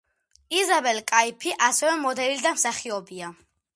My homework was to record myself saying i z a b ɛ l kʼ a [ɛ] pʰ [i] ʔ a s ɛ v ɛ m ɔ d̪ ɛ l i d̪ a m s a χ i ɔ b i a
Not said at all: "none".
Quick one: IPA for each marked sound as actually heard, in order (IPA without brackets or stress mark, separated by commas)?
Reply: i, i